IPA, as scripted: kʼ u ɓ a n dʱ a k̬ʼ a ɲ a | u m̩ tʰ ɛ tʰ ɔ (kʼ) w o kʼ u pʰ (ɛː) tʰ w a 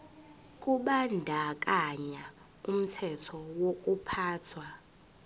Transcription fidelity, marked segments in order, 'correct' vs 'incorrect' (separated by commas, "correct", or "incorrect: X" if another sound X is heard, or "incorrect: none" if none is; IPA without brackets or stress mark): incorrect: none, incorrect: aː